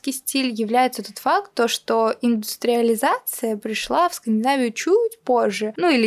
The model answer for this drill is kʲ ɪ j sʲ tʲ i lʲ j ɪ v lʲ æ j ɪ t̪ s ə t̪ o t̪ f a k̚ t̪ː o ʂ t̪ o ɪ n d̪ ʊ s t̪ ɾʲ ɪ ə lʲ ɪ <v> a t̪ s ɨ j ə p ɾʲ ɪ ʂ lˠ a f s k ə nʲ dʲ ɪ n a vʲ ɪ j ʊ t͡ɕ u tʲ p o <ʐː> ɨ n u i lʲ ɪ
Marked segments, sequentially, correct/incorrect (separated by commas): incorrect, correct